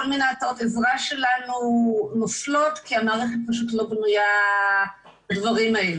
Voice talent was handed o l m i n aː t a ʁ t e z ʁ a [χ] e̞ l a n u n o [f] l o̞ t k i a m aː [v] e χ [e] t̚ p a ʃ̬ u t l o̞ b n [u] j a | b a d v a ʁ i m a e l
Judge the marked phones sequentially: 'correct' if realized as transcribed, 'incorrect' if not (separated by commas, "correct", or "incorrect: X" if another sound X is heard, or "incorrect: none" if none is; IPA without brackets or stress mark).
incorrect: ʃ, correct, incorrect: ʁ, correct, correct